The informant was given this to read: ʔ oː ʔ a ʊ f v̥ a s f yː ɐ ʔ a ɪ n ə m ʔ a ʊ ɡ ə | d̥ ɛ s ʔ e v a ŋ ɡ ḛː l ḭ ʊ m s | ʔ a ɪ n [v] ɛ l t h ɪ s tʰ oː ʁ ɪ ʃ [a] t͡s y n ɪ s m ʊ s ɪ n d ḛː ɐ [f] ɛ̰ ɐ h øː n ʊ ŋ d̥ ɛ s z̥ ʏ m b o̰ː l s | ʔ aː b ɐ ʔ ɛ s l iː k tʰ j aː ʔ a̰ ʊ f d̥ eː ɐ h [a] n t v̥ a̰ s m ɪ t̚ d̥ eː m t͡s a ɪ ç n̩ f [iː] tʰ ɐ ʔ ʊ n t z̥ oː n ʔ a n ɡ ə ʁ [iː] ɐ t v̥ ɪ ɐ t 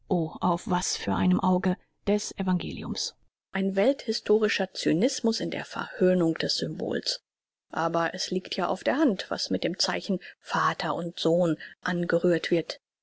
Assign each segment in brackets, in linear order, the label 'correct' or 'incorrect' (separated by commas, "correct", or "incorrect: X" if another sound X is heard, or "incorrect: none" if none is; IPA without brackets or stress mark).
correct, incorrect: ɐ, correct, correct, incorrect: aː, incorrect: yː